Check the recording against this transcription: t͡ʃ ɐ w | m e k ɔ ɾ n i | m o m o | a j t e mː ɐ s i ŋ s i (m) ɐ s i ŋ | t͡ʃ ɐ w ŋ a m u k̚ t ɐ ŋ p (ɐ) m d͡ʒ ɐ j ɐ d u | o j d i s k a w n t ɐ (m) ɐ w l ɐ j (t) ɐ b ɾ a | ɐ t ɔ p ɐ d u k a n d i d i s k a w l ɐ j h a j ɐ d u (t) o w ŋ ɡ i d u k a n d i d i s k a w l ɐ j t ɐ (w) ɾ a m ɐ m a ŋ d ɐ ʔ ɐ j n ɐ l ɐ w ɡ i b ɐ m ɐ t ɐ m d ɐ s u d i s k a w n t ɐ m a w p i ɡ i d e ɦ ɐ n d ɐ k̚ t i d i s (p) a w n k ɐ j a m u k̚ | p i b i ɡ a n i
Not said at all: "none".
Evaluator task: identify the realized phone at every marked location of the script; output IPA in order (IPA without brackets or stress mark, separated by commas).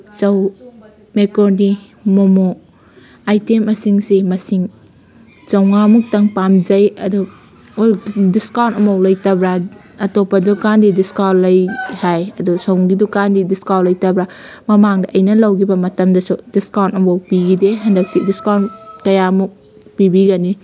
m, a, m, t, s, b, k